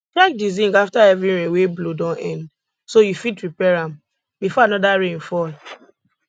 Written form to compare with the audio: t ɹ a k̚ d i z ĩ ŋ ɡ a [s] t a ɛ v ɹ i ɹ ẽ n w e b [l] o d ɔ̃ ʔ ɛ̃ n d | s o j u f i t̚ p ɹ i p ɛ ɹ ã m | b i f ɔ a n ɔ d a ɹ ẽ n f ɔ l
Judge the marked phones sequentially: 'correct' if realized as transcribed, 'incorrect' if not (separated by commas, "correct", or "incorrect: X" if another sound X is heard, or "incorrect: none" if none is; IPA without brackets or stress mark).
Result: incorrect: f, correct